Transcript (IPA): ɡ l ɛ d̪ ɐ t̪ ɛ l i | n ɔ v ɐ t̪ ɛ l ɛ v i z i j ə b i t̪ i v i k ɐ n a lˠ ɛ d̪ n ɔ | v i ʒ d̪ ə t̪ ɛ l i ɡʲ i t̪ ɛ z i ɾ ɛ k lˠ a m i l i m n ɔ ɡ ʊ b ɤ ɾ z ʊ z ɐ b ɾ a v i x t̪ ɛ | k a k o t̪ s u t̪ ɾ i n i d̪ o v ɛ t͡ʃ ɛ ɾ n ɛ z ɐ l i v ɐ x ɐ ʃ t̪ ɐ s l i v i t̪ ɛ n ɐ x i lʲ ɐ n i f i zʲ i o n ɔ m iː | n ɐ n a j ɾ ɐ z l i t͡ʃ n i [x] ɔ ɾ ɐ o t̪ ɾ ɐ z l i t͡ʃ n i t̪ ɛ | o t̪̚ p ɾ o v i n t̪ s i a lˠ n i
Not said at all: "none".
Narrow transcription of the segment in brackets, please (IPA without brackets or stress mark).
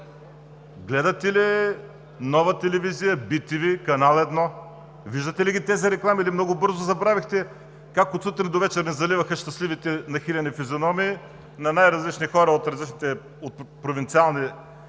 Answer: x